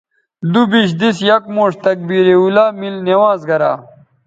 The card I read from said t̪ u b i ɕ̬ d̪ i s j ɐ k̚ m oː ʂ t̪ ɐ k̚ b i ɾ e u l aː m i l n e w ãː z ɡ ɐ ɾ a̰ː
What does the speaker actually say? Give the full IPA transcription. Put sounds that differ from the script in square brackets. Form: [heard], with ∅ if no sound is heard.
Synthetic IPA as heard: [d̪] u b i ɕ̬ d̪ i s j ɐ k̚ m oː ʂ t̪ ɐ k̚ b i ɾ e u l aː m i l n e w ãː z ɡ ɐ ɾ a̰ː